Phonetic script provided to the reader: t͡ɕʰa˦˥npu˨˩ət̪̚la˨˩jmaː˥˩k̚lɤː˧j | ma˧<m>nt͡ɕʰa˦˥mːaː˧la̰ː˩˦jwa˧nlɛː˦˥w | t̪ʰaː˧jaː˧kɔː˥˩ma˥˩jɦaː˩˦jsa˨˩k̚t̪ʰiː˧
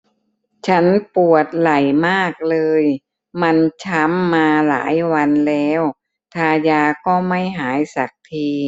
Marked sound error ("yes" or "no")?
yes